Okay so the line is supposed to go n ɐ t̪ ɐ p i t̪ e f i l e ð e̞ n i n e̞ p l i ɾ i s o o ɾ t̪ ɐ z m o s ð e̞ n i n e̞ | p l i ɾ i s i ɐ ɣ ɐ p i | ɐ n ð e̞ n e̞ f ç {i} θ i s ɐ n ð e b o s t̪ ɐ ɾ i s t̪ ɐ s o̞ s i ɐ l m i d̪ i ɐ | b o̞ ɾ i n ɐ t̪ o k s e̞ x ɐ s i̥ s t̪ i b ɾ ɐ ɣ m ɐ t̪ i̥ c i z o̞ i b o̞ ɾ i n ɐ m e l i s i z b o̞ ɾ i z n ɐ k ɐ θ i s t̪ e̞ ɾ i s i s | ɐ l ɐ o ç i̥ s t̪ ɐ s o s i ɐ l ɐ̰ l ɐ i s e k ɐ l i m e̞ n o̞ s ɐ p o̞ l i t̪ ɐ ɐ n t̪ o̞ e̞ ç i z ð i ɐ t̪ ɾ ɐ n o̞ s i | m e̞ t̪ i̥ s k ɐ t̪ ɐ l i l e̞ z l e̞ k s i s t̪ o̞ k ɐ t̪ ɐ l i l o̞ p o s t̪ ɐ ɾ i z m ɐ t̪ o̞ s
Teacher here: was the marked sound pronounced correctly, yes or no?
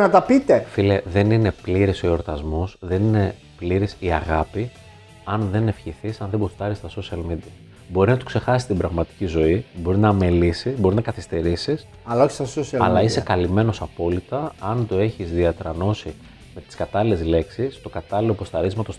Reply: yes